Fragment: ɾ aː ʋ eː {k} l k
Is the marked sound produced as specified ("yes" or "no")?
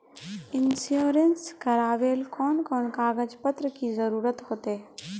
no